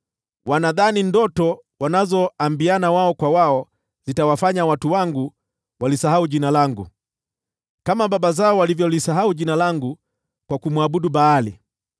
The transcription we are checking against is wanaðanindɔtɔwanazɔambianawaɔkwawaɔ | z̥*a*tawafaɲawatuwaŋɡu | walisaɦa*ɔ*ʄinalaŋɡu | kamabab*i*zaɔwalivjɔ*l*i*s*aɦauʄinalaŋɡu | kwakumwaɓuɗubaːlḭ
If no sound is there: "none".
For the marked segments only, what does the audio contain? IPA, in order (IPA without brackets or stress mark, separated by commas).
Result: i, u, a, l, s